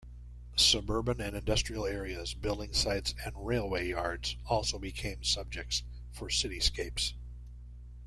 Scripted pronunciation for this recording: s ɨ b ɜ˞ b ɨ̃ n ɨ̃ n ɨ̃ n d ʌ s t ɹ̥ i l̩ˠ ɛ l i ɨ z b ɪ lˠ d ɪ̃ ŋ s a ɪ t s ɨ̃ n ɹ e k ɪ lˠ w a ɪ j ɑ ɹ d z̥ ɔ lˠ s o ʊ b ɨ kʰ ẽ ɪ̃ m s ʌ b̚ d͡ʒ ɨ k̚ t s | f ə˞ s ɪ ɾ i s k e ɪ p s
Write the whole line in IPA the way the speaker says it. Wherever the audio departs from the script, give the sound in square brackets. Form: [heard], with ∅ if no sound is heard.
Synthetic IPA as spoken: s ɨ b ɜ˞ b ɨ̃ n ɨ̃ n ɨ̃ n d ʌ s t ɹ̥ i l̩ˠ ɛ [ɹ] i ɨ z b ɪ lˠ d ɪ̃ ŋ s a ɪ t s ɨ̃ n ɹ e [∅] ɪ lˠ w [e] ɪ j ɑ ɹ d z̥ ɔ lˠ s o ʊ b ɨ kʰ ẽ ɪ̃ m s ʌ b̚ d͡ʒ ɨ k̚ t s | f ə˞ s ɪ ɾ i s k e ɪ p s